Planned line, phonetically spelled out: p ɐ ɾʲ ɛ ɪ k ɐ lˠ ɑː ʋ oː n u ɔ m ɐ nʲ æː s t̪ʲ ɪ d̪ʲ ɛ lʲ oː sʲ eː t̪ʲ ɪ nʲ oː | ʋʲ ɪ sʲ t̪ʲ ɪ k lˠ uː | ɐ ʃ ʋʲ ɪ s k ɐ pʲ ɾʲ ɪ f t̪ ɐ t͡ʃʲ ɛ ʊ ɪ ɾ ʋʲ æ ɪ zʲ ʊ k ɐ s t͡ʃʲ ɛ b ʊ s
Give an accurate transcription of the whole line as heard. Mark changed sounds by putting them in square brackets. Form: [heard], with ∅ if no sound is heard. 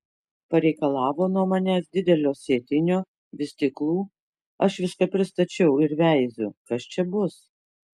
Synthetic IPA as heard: p ɐ ɾʲ ɛ ɪ k ɐ lˠ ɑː ʋ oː n u ɔ m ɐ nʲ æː s [d̪ʲ] ɪ d̪ʲ ɛ lʲ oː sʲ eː t̪ʲ ɪ nʲ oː | ʋʲ ɪ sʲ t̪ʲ ɪ k lˠ uː | ɐ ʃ ʋʲ ɪ s k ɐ pʲ ɾʲ ɪ [s] t̪ ɐ t͡ʃʲ ɛ ʊ ɪ ɾ ʋʲ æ ɪ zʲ ʊ k ɐ s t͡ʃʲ ɛ b ʊ s